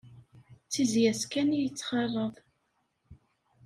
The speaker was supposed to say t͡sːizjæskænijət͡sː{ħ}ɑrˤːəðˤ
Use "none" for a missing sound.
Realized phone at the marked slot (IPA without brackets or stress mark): χ